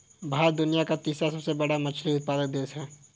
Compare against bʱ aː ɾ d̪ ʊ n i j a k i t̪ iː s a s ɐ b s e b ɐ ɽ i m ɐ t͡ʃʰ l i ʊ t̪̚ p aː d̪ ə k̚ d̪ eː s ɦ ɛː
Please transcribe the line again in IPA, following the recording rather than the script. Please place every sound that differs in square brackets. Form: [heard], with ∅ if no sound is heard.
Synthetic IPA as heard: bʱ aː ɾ d̪ ʊ n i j a k [a] t̪ iː s a s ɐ b s e b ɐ ɽ [a] m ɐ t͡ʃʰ l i ʊ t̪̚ p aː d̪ ə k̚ d̪ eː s ɦ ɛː